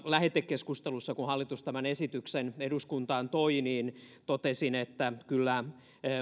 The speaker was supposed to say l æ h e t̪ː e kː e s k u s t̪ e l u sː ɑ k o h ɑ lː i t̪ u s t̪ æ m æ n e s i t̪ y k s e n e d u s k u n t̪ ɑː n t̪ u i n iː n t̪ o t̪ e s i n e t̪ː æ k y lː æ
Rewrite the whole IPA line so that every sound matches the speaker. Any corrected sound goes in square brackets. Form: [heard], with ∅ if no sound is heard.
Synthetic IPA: l æ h e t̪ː e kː e s k u s t̪ e l u sː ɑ k [u] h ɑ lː i t̪ u s t̪ æ m æ n e s i t̪ y k s e n e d u s k u n t̪ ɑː n t̪ [o] i n iː n t̪ o t̪ e s i n e t̪ː æ k y lː æ